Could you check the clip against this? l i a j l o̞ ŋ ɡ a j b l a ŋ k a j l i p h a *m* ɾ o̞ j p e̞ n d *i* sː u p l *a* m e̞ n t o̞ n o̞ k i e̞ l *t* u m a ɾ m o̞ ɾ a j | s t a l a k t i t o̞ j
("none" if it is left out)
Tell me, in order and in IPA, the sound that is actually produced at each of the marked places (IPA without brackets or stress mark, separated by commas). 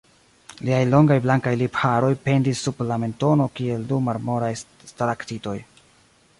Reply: none, i, a, d